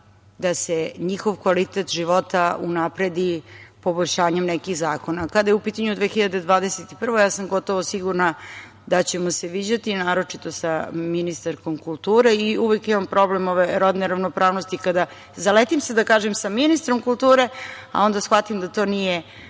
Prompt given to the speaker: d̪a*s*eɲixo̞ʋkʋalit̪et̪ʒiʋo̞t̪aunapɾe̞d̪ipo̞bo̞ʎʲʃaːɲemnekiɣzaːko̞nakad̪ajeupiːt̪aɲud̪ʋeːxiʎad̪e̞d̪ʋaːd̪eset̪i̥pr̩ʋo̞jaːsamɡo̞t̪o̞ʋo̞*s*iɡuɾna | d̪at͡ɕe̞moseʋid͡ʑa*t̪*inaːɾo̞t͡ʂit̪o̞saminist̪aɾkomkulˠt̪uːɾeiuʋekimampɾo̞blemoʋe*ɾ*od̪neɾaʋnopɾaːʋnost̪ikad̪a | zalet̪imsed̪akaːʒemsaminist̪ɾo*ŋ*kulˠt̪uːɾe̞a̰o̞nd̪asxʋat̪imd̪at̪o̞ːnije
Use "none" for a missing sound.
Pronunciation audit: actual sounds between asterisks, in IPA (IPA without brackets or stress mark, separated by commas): s, s, t̪, ɾ, m